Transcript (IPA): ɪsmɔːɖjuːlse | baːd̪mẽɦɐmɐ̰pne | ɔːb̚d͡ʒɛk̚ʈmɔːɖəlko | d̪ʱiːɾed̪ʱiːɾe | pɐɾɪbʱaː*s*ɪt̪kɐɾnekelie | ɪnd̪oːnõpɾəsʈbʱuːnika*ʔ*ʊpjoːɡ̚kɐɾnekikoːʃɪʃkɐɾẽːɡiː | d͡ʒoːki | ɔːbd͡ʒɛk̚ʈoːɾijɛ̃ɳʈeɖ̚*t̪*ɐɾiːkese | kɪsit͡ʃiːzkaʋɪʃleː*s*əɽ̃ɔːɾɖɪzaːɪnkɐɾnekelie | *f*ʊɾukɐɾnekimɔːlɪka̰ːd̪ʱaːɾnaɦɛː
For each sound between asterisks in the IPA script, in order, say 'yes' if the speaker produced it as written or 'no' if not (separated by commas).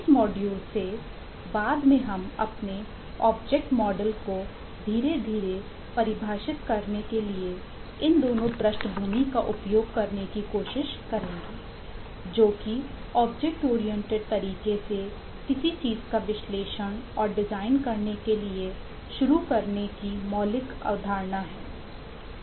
no, yes, yes, no, no